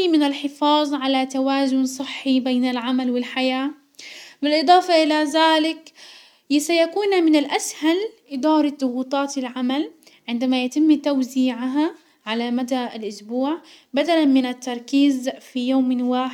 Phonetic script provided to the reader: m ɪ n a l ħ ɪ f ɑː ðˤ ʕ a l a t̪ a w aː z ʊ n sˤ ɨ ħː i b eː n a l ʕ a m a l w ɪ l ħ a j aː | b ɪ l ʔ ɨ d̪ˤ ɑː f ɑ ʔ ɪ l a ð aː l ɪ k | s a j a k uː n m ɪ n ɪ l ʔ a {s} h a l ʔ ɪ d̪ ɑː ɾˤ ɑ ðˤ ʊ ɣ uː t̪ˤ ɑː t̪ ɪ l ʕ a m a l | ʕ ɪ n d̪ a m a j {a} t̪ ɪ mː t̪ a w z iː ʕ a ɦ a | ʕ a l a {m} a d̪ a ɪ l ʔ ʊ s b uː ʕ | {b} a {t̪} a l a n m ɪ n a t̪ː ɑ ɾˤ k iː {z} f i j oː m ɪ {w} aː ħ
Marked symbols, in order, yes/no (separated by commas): yes, yes, yes, yes, no, yes, yes